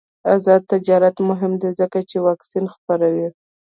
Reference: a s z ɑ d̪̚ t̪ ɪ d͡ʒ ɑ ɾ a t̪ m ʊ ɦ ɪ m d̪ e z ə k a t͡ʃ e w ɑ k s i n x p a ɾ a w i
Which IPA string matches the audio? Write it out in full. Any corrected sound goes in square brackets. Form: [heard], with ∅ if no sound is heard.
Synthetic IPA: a [∅] z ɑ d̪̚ t̪ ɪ d͡ʒ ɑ ɾ a t̪ m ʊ ɦ ɪ m d̪ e z ə k a t͡ʃ e w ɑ k s i n x p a ɾ a w i